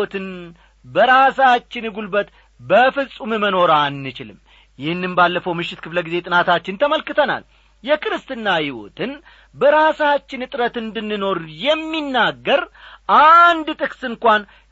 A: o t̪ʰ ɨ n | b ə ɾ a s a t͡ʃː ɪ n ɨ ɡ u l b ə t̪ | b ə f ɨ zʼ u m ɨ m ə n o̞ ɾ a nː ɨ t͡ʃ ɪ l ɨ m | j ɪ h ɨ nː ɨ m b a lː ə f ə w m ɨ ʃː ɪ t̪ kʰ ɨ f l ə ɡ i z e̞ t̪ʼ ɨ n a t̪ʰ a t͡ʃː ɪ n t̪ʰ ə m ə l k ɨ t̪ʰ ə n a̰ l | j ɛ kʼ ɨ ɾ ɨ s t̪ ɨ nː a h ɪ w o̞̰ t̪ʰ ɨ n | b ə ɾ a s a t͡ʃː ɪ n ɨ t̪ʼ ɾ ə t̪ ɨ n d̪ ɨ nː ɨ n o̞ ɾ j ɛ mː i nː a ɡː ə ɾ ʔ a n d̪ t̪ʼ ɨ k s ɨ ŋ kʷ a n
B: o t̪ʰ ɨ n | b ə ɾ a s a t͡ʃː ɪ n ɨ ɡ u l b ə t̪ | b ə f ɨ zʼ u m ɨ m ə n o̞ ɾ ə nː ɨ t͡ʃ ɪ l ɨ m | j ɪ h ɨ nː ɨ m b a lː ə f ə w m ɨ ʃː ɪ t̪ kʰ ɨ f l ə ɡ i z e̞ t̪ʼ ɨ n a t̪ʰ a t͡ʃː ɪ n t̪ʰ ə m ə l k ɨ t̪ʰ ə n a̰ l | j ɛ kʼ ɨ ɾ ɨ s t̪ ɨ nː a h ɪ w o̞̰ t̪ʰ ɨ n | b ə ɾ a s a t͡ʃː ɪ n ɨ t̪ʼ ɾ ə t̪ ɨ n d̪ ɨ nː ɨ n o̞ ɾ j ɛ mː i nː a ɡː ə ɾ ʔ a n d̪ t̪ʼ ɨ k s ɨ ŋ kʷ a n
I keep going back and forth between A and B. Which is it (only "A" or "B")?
A